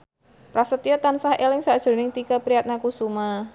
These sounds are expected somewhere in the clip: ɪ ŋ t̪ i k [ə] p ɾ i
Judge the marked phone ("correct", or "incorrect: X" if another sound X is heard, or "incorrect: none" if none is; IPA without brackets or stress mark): incorrect: a